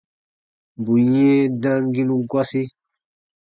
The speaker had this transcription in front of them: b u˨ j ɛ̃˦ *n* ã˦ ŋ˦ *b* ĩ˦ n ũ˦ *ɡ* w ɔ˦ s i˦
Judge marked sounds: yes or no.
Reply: no, no, yes

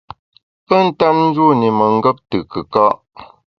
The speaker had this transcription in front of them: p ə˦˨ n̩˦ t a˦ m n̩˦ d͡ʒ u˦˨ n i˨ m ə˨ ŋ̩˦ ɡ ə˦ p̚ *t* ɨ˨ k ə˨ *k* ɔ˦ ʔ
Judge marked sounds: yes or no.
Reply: yes, yes

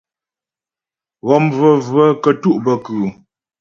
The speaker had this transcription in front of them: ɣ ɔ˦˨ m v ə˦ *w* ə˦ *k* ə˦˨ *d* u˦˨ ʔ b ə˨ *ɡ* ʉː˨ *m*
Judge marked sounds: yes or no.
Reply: no, yes, no, no, no

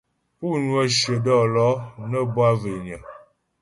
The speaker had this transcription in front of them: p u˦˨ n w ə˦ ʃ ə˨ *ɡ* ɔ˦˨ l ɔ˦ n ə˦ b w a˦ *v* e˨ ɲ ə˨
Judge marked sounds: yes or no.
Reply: no, yes

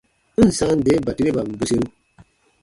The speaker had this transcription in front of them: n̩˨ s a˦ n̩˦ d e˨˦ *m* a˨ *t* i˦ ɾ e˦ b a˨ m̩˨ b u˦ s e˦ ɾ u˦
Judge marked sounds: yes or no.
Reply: no, yes

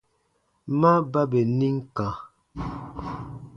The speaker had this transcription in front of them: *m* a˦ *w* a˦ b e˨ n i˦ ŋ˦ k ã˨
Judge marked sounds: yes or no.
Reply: yes, no

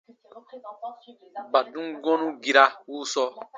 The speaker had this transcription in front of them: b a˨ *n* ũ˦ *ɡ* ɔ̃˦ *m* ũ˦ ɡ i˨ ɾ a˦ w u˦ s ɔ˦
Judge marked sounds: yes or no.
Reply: no, yes, no

